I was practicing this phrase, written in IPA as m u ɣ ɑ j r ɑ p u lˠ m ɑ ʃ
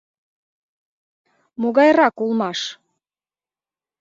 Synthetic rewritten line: m o ɣ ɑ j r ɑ k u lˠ m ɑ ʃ